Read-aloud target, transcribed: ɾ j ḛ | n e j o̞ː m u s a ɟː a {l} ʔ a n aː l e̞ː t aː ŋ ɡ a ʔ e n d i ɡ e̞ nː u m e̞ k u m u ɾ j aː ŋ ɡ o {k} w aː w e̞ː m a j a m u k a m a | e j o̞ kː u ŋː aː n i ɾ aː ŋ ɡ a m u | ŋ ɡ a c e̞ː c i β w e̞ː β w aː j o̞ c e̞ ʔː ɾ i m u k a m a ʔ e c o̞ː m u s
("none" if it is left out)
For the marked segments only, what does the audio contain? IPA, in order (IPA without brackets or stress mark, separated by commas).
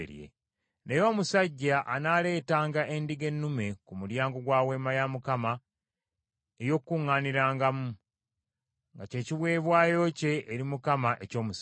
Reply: none, ɡ